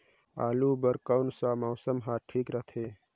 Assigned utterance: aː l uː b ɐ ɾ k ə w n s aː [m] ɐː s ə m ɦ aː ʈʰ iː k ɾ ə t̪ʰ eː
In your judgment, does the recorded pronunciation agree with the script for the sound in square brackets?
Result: yes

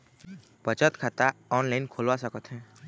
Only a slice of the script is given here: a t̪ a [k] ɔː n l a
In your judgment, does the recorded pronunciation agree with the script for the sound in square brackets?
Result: no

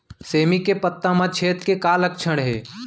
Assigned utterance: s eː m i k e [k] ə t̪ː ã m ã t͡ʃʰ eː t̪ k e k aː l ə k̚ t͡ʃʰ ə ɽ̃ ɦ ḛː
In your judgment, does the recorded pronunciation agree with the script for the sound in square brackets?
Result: no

